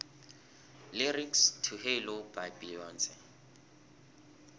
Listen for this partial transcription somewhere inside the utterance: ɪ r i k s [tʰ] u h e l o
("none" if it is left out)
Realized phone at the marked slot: tʰ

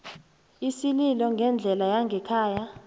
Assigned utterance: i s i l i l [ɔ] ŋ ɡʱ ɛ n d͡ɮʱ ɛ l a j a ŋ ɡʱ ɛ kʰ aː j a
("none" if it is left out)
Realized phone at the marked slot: ɔ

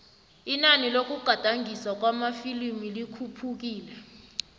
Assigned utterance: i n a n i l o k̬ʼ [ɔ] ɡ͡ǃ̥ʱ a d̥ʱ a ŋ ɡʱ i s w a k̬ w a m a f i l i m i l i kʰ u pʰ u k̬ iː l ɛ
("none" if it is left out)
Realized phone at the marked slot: u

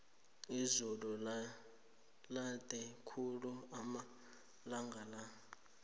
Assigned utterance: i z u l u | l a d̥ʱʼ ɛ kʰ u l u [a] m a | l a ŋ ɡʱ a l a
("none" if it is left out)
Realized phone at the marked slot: a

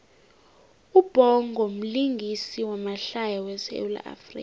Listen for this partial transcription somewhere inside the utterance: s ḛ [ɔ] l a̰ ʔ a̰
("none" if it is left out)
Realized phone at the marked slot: u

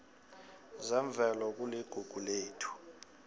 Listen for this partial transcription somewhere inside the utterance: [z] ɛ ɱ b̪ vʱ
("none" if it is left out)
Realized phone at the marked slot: z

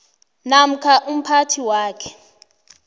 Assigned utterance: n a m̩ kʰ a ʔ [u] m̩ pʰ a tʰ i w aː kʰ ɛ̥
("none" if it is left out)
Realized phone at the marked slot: u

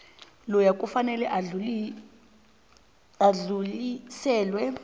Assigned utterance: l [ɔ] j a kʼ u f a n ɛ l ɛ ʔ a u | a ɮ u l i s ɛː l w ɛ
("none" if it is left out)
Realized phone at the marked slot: ɔ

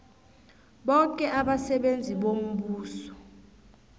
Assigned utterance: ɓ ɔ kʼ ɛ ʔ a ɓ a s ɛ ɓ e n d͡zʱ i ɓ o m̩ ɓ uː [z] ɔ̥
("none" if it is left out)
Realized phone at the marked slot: s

